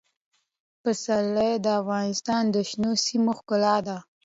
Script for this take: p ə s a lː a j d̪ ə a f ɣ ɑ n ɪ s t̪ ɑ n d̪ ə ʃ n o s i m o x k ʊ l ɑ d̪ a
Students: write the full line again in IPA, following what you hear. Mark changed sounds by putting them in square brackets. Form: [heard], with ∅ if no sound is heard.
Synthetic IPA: p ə s a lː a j d̪ ə a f ɣ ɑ n ɪ s t̪ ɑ n d̪ ə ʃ n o s i m o x k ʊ l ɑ d̪ a

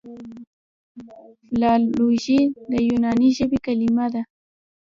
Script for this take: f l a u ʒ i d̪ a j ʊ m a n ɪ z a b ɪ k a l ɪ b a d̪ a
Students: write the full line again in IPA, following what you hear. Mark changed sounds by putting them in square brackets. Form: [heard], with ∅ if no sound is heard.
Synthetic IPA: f l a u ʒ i d̪ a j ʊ [n] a n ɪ [ʒ] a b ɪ k a l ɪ [m] a d̪ a

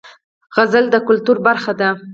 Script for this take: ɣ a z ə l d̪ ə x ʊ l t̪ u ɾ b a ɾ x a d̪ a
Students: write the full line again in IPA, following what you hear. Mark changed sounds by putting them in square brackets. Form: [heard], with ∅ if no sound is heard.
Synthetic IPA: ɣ a z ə l d̪ ə [k] ʊ l t̪ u ɾ b a ɾ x a d̪ a

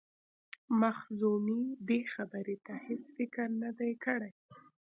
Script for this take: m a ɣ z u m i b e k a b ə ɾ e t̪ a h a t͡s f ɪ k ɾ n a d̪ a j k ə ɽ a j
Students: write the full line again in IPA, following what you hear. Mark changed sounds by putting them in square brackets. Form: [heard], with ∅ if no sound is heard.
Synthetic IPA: m a [x] z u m i b e [x] a b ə ɾ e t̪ a h [e] t͡s f ɪ k ɾ n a d̪ a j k ə ɽ a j

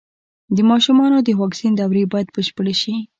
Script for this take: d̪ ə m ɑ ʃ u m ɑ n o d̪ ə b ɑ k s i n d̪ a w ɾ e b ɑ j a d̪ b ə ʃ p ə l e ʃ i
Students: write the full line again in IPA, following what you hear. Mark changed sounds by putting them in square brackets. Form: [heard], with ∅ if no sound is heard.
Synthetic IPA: d̪ ə m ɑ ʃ u m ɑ n o d̪ ə [w] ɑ k s i n d̪ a w ɾ e b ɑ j a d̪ b ə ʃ p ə [ɽ] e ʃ i

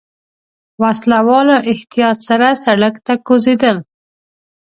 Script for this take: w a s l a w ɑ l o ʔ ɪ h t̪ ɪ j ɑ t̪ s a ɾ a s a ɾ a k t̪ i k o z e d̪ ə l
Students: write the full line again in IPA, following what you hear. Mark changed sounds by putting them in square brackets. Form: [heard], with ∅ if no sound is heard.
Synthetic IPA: w a s l a w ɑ l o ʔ ɪ h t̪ [i] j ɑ t̪ s a ɾ a s a [ɽ] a k t̪ [a] k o z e d̪ ə l

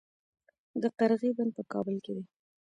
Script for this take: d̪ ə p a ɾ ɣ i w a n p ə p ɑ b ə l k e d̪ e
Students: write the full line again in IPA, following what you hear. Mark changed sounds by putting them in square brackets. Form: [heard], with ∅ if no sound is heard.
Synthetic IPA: d̪ ə [q] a ɾ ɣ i [b] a n p ə [k] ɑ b ə l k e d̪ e

